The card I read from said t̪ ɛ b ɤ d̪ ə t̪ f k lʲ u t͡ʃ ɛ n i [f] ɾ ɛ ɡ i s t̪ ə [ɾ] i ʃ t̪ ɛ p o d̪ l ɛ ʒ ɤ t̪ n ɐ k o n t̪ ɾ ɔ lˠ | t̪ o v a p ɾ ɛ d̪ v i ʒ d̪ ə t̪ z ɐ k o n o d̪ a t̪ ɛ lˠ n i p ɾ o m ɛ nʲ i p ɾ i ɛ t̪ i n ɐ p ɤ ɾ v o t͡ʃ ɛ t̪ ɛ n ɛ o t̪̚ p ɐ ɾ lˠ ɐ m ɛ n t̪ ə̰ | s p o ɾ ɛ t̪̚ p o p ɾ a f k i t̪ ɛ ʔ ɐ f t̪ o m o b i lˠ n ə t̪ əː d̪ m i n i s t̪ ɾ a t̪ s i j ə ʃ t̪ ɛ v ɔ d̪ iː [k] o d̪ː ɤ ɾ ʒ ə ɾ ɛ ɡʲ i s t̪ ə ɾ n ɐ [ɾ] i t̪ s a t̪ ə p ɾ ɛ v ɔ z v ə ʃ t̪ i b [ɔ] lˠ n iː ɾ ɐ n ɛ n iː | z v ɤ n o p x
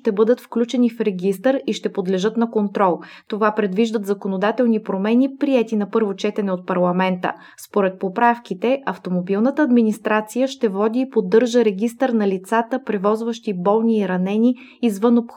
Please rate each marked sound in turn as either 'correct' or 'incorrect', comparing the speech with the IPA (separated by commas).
correct, correct, incorrect, incorrect, correct